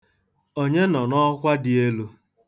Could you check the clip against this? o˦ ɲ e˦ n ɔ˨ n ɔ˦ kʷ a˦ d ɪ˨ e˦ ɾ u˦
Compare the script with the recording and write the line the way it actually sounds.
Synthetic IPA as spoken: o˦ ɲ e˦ n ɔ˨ n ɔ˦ kʷ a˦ d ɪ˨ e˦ l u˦